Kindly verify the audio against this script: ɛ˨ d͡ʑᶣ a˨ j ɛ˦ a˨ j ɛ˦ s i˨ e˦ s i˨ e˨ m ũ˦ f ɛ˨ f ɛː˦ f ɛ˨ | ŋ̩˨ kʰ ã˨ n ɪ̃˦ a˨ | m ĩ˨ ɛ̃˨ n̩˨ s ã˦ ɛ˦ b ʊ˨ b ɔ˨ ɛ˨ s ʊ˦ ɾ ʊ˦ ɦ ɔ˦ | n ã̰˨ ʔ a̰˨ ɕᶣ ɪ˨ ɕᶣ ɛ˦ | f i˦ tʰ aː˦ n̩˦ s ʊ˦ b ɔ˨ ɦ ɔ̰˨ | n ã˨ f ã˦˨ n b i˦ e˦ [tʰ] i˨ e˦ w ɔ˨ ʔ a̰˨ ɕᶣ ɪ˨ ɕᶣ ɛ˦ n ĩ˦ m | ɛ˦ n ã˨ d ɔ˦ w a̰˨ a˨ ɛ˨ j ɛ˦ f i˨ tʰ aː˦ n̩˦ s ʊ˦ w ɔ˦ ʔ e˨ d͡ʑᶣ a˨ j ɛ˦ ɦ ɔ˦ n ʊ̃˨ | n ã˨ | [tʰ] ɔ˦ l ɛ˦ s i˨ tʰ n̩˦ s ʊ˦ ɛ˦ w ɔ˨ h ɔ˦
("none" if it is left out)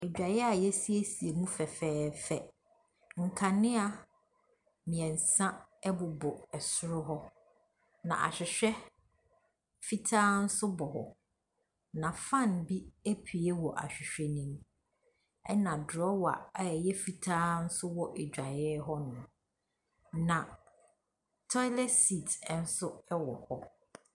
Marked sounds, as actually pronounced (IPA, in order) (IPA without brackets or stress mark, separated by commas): pʰ, tʰ